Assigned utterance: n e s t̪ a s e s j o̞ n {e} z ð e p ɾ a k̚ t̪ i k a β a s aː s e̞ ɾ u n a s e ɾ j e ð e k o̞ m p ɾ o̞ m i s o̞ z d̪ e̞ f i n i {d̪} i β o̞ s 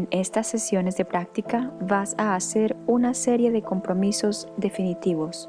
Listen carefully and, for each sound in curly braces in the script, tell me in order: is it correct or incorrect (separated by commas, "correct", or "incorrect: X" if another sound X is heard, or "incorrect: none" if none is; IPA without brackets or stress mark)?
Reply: correct, incorrect: t̪